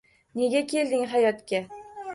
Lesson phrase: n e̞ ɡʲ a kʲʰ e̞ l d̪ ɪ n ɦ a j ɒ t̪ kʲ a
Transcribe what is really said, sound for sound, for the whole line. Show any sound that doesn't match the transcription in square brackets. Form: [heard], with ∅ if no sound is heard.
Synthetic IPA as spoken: n e̞ ɡʲ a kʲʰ e̞ l d̪ ɪ [ŋ] ɦ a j ɒ t̪ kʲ a